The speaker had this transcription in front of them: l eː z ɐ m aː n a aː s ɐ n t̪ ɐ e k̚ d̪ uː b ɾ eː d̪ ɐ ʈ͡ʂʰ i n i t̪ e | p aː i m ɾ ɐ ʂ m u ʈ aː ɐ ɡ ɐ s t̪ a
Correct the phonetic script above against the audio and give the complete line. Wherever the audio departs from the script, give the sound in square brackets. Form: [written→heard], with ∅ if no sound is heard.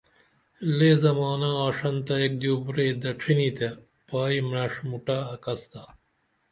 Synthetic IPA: l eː z ɐ m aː n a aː [s→ʂ] ɐ n t̪ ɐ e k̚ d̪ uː b ɾ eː d̪ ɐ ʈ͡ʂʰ i n i t̪ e | p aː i m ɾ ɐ ʂ m u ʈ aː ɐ [ɡ→k] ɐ s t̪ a